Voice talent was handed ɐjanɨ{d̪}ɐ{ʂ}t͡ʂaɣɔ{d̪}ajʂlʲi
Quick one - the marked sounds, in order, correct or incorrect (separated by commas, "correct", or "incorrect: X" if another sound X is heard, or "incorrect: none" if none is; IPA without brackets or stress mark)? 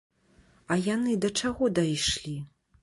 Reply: correct, incorrect: none, correct